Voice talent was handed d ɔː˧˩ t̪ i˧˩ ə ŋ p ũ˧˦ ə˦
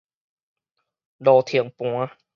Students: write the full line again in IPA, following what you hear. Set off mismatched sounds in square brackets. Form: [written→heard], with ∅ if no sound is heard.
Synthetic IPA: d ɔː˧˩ [t̪→t̪ʰ] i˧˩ ə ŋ p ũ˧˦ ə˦